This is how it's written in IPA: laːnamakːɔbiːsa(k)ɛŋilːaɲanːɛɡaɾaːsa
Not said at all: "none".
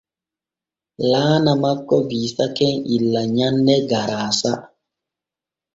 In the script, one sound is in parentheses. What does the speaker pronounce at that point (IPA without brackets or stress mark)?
k